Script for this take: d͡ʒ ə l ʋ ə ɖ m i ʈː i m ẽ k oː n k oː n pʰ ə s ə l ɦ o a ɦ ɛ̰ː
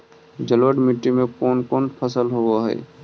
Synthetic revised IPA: d͡ʒ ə l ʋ ə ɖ m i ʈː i m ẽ k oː n k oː n pʰ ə s ə l ɦ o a ɦ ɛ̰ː

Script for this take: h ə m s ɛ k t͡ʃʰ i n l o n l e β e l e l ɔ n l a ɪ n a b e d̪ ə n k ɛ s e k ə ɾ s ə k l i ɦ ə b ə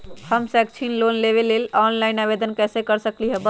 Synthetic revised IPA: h ə m s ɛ k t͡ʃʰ i n l o n l e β e l e l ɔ n l a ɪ n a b e d̪ ə n k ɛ s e k ə ɾ s ə k l i ɦ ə b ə

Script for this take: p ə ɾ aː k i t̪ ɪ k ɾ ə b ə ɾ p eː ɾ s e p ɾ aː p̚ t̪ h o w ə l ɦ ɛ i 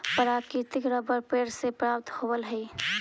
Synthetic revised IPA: p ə ɾ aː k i t̪ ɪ k ɾ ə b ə ɾ p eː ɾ s e p ɾ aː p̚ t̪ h o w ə l ɦ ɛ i

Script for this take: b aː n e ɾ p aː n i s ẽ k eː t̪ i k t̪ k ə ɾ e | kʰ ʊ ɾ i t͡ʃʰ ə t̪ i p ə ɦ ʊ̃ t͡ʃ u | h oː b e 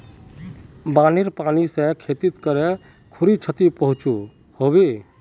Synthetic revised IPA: b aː n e ɾ p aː n i s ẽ kʰ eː t̪ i t̪ k ə ɾ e | kʰ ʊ ɾ i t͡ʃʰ ə t̪ i p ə ɦ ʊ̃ t͡ʃ u | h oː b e

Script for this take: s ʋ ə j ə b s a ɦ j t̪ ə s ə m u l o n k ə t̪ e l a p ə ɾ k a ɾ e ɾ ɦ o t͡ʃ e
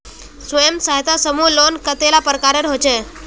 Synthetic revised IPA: s ʋ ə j ə m s a ɦ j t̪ a s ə m u l o n k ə t̪ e l a p ə ɾ k a ɾ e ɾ ɦ o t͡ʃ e

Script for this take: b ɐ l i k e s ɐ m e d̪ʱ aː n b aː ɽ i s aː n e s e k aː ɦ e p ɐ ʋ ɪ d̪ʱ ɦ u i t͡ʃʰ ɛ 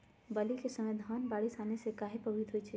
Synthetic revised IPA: b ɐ l i k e s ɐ m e d̪ʱ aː n b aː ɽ i s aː n e s e k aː ɦ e p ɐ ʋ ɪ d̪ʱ ɦ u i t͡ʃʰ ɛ

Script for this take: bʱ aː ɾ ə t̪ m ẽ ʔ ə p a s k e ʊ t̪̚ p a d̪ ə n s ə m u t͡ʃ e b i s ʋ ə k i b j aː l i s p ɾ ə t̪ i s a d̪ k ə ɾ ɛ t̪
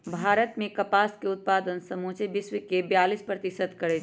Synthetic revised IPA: bʱ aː ɾ ə t̪ m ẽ k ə p a s k e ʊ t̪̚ p a d̪ ə n s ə m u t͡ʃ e b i s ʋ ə k e b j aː l i s p ɾ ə t̪ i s ə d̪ k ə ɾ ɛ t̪

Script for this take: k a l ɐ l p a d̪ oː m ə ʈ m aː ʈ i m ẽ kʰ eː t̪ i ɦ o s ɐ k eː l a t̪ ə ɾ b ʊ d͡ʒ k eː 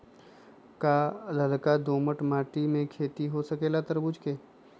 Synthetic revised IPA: k a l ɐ l k a d̪ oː m ə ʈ m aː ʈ i m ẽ kʰ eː t̪ i ɦ o s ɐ k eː l a t̪ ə ɾ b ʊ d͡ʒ k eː

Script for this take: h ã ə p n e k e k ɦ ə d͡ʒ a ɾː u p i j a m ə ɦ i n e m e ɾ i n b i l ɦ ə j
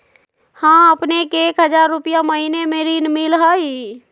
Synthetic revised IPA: h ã ə p n e k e k ɦ ə d͡ʒ a ɾː u p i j a m ə ɦ i n e m e ɾ i n m i l ɦ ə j

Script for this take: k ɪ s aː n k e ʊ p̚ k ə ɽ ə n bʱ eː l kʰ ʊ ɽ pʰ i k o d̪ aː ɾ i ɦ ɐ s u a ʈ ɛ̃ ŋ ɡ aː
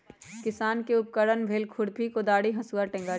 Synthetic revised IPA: k ɪ s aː n k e ʊ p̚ k ə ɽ ə n bʱ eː l kʰ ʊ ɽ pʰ i k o d̪ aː ɽ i ɦ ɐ s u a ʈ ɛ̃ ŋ ɡ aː

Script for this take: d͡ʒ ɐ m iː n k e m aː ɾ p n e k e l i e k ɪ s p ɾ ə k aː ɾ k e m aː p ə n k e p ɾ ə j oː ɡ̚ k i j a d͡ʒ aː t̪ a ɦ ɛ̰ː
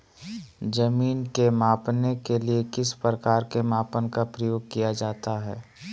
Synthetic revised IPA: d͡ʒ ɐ m iː n k e m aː p n e k e l i e k ɪ s p ɾ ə k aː ɾ k e m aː p ə n k a p ɾ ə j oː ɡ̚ k i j a d͡ʒ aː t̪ a ɦ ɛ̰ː

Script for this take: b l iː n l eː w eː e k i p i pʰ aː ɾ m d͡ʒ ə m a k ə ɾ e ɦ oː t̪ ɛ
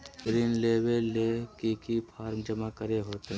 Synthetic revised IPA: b ɾ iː n l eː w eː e k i k i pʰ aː ɾ m d͡ʒ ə m a k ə ɾ e ɦ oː t̪ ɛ

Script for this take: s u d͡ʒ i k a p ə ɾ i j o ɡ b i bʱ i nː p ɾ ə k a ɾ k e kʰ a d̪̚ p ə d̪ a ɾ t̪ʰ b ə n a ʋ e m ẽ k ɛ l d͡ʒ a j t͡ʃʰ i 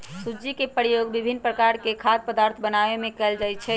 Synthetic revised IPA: s u d͡ʒ i k e p ə ɾ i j o ɡ b i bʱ i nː p ɾ ə k a ɾ k e kʰ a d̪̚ p ə d̪ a ɾ t̪ʰ b ə n a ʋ e m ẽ k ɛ l d͡ʒ a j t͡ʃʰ ɛ

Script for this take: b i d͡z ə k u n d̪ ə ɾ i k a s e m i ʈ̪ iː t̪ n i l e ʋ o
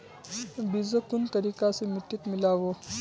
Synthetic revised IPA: b i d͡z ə k u n t̪ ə ɾ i k a s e m i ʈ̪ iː t̪ m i l a ʋ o

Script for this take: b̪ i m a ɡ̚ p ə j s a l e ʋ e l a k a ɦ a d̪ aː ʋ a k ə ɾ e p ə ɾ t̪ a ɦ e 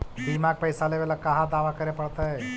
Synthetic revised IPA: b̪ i m a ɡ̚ p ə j s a l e ʋ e l a k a ɦ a d̪ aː ʋ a k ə ɾ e p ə ɽ t̪ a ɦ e

